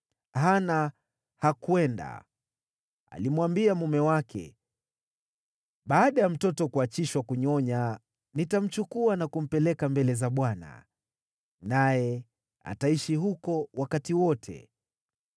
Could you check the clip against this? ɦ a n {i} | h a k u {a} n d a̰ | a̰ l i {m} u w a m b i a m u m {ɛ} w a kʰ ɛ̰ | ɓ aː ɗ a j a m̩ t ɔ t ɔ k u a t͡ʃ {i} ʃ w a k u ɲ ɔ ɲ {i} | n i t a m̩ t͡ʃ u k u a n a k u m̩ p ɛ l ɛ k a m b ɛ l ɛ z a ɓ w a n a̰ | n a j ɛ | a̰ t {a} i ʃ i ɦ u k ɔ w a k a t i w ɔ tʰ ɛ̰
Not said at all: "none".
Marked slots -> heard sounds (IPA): a, ɛ, m, ɛ, i, a, a

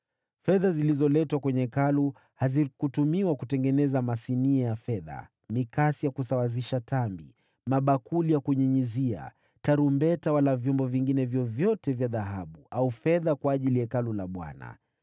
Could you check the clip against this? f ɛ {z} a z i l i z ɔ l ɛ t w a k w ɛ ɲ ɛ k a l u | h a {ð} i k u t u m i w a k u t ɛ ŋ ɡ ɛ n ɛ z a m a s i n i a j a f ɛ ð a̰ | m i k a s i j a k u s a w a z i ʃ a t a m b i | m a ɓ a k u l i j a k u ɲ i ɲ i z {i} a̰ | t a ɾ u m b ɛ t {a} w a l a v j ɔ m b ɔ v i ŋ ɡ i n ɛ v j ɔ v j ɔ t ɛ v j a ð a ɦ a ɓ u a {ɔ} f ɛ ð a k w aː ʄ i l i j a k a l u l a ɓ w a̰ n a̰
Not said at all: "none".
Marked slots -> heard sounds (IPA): ð, z, i, a, u

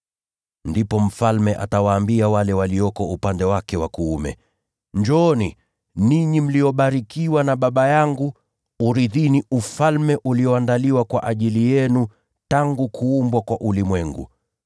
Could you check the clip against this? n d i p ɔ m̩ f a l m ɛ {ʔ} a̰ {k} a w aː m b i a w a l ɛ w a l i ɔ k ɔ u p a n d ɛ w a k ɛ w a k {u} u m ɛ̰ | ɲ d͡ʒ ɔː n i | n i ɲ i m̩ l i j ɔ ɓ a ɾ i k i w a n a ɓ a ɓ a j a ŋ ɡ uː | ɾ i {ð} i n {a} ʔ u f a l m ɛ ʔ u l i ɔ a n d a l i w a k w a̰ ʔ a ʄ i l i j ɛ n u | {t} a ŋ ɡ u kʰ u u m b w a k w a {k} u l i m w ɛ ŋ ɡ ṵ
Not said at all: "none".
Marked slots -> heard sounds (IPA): ʔ, t, u, ð, i, t, ʔ

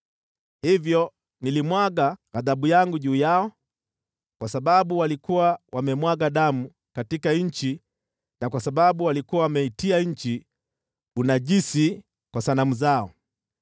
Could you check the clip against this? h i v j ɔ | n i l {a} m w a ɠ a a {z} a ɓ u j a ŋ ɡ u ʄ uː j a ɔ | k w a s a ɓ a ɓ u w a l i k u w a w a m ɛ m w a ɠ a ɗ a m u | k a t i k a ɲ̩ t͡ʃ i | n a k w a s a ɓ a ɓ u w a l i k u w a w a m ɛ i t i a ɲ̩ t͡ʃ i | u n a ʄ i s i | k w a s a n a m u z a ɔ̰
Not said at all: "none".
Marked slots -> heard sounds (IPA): i, ð

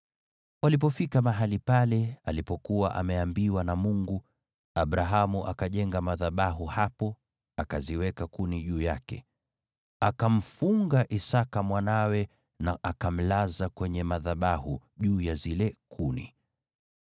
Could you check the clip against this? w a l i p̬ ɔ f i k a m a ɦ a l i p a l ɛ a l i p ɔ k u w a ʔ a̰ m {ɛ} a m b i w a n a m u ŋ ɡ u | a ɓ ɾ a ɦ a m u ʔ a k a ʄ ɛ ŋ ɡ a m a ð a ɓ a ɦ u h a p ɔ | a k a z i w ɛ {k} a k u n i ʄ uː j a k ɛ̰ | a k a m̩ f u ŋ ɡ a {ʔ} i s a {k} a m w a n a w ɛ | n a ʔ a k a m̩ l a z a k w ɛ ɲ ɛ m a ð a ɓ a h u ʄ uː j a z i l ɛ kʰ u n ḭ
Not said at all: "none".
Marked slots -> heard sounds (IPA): ɛ, k, ʔ, k

